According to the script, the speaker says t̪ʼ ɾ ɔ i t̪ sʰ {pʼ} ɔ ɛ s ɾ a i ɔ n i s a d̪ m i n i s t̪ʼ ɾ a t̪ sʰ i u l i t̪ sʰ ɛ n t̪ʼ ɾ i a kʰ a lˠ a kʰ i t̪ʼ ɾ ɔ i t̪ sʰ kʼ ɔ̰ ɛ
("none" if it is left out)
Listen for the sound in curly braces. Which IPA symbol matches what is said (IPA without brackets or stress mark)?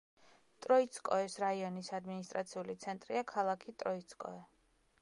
kʼ